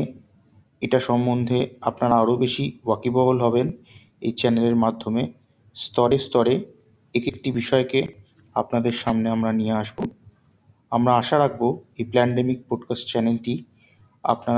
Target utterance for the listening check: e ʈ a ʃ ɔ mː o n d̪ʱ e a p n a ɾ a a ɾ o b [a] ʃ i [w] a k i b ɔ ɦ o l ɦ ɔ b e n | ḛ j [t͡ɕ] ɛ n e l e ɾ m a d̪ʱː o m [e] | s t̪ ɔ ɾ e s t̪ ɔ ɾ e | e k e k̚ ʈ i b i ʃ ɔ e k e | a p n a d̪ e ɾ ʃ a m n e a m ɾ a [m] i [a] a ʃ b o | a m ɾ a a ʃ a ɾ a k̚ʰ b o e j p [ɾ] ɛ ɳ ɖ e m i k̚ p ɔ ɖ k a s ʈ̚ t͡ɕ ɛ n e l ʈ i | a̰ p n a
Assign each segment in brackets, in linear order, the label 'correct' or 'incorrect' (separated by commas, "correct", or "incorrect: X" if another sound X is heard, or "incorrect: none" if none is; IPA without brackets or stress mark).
incorrect: e, correct, correct, correct, incorrect: n, incorrect: e, incorrect: l